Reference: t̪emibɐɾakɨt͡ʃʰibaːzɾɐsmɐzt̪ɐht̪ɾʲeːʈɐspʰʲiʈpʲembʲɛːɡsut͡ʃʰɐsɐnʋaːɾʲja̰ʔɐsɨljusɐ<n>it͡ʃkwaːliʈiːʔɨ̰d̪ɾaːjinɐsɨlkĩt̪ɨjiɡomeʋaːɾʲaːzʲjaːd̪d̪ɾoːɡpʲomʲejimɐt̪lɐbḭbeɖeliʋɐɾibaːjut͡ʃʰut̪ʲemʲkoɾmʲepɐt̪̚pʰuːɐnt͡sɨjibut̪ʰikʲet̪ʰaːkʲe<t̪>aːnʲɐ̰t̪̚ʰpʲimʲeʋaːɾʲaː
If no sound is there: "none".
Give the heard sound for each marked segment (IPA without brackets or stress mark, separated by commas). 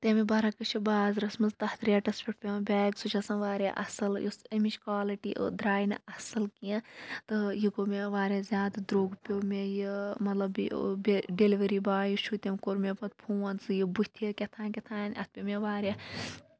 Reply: m, t̪ʰ